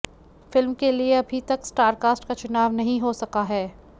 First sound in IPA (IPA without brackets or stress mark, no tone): f